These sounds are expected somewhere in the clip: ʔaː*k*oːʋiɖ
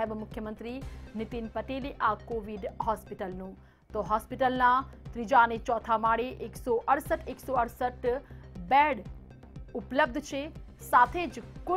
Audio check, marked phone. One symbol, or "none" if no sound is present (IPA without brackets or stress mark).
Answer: k